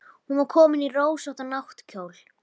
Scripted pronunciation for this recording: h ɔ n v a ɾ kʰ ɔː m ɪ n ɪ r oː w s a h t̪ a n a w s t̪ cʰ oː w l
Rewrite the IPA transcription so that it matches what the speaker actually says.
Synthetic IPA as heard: h u n v a ɾ kʰ ɔː m ɪ n i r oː w s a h t̪ a n a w h t̪ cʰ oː w l